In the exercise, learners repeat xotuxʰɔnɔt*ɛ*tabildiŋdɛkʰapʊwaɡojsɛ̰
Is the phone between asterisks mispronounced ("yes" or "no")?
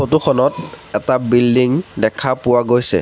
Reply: no